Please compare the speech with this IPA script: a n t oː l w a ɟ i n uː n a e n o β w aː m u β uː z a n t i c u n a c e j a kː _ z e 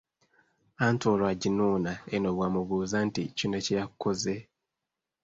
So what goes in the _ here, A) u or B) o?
B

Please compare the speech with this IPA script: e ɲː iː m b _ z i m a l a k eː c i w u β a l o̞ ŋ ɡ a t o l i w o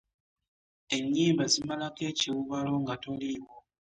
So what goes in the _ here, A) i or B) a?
B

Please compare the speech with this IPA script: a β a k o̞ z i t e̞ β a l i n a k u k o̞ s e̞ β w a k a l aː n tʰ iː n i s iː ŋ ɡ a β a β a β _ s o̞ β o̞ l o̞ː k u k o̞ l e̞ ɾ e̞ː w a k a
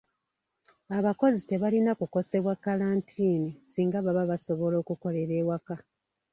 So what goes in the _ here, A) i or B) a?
B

